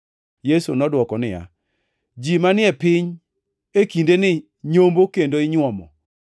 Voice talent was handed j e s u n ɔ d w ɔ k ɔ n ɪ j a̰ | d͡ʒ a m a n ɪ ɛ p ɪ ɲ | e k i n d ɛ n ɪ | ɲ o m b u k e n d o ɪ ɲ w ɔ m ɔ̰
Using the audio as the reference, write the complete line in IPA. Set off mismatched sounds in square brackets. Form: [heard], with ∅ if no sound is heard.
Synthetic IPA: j e s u n ɔ d w ɔ k ɔ n ɪ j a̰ | d͡ʒ [i] m a n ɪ ɛ p ɪ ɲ | e k i n d [e] n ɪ | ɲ o m b [o] k e n d o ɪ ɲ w ɔ m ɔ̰